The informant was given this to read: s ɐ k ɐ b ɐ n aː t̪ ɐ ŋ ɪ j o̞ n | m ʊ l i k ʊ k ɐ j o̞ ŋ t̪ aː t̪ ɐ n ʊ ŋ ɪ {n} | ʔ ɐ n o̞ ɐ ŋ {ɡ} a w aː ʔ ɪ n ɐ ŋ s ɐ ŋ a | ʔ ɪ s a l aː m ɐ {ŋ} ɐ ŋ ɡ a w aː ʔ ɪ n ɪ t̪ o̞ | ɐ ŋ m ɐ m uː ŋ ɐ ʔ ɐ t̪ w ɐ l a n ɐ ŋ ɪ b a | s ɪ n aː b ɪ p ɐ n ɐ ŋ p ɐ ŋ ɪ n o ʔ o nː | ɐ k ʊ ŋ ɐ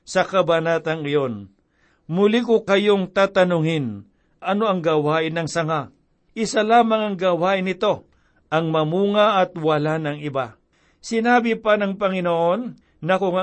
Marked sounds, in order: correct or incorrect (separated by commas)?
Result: correct, correct, correct